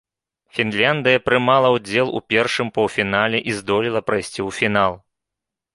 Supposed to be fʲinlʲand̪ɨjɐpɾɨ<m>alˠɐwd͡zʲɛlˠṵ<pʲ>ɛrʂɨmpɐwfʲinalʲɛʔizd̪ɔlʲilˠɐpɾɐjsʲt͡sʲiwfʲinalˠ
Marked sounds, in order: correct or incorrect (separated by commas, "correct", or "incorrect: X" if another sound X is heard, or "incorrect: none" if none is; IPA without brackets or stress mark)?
correct, correct